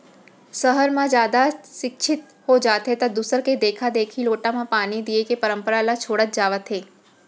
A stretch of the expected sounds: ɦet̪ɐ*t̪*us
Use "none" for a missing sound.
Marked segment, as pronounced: d̪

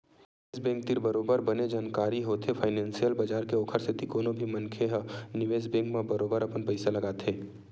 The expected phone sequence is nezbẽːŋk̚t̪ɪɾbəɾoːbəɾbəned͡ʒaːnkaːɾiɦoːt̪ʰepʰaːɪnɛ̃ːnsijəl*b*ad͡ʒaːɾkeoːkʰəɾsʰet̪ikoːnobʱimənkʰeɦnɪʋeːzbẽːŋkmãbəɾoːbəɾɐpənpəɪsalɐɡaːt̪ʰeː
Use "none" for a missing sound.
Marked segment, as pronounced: b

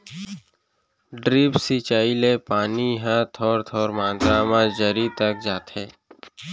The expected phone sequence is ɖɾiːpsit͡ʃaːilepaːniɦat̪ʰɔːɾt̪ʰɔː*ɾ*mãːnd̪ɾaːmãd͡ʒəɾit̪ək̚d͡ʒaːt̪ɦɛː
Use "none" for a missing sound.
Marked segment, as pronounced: ɾ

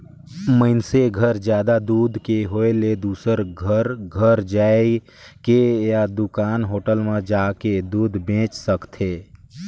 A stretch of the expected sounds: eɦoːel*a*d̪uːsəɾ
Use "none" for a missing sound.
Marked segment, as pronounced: e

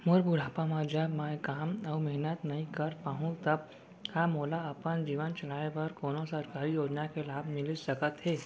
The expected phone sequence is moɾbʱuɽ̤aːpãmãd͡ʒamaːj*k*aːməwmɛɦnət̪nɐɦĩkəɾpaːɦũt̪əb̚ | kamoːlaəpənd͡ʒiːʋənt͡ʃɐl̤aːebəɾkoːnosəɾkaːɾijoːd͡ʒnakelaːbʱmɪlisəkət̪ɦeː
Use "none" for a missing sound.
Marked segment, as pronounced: k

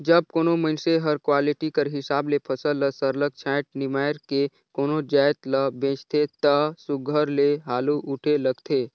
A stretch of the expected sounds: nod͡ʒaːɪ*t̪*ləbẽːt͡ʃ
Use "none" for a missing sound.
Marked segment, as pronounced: t̪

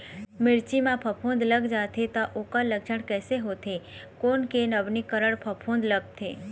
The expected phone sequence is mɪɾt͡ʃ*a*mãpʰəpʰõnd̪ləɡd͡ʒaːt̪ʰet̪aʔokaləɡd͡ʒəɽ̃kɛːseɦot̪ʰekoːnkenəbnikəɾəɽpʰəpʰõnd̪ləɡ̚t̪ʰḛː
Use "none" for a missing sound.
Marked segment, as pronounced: i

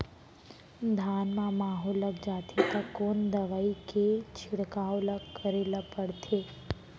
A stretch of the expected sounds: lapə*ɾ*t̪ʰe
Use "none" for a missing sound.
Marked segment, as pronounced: ɽ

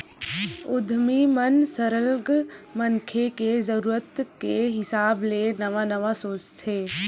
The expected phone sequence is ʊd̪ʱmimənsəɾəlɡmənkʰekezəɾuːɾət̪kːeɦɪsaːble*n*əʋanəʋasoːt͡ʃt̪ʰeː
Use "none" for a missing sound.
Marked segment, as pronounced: n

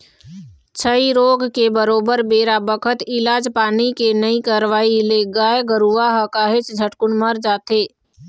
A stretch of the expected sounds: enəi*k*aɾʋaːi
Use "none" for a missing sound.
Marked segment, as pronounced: k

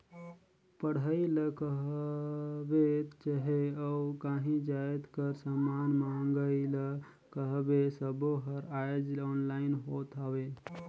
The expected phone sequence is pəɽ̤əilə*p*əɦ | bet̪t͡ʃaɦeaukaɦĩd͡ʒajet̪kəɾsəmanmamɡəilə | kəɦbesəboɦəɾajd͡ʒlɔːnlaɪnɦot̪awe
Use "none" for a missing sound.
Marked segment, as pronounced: k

